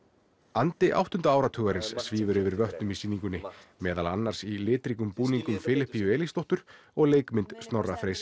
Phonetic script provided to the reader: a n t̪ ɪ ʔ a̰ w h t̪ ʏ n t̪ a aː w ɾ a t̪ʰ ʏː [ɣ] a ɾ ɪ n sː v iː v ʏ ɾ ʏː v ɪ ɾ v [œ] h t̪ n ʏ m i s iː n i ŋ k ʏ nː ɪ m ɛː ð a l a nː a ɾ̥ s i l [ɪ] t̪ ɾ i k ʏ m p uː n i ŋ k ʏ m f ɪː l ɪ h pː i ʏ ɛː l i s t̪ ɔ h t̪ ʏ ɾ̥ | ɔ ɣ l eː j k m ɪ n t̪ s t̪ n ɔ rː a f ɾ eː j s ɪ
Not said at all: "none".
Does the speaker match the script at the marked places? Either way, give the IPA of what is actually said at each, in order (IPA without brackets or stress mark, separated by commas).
ɣ, œ, ɪː